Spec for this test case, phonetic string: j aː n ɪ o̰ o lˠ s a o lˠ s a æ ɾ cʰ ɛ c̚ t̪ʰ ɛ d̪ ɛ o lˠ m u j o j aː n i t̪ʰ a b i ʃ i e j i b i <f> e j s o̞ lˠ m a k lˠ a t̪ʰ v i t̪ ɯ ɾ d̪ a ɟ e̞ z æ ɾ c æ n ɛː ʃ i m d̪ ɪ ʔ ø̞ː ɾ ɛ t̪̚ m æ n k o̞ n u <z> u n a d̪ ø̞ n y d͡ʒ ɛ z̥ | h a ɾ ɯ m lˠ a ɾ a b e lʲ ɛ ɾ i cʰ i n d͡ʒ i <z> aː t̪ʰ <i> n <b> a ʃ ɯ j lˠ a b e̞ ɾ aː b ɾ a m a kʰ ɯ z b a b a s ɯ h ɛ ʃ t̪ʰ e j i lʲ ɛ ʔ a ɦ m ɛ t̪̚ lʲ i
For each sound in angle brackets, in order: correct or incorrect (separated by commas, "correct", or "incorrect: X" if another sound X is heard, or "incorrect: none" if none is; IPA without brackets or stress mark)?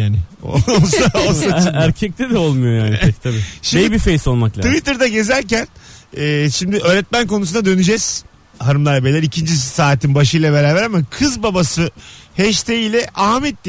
correct, incorrect: s, incorrect: s, correct, correct